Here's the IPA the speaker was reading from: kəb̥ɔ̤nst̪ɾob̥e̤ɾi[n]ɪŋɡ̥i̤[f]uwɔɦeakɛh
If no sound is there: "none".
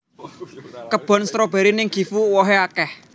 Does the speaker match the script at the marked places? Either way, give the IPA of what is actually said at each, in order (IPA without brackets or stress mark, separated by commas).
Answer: n, f